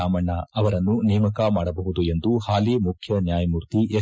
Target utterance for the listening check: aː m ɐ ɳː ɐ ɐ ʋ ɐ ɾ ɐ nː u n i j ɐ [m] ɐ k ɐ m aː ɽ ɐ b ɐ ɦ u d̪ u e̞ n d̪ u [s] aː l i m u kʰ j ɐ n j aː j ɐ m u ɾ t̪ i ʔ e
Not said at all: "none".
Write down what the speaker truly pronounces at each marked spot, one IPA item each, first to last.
m, h

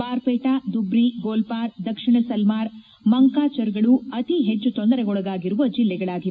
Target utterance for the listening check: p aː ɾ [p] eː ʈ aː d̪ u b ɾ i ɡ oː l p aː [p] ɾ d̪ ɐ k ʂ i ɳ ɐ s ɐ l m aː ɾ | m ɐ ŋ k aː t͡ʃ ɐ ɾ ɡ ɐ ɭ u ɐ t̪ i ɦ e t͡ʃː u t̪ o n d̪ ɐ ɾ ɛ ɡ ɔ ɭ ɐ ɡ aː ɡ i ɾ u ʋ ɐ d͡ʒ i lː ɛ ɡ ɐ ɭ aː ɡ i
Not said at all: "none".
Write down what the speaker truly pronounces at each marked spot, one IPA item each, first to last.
p, none

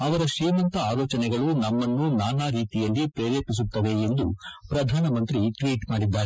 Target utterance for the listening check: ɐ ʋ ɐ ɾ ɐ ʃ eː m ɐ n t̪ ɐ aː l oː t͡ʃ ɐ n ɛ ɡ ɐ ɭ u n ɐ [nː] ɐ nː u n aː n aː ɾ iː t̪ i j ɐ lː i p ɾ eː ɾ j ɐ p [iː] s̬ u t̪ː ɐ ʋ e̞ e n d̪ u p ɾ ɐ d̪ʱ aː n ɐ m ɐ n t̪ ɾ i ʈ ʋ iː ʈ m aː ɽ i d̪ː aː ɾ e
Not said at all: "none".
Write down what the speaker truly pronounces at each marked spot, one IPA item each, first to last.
mː, i

